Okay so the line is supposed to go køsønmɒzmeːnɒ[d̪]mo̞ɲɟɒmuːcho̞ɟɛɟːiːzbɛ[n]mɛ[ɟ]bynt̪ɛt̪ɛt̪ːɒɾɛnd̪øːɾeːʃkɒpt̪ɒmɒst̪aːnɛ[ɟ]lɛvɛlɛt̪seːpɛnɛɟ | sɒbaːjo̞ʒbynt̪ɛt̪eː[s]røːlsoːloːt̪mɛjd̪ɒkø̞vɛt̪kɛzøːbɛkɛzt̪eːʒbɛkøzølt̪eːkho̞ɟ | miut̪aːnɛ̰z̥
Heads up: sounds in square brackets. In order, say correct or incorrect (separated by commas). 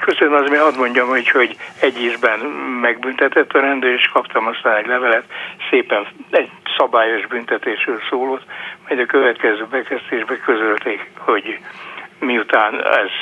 correct, correct, incorrect, correct, incorrect